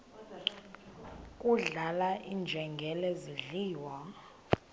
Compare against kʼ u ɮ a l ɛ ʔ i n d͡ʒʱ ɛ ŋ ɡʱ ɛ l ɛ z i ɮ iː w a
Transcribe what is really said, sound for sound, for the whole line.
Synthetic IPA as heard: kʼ u ɮ a l a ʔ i n d͡ʒʱ ɛ ŋ ɡʱ ɛ l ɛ z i ɮ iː w a